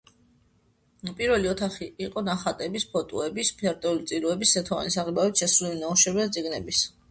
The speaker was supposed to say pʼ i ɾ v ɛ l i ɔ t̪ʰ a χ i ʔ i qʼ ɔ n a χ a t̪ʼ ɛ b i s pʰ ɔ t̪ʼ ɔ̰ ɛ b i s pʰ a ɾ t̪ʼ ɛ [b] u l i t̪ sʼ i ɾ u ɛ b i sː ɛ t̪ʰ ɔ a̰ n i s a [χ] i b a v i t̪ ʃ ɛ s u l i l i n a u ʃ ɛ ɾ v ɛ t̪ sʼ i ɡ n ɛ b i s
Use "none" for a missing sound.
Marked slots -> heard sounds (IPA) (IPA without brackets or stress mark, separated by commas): none, ʁ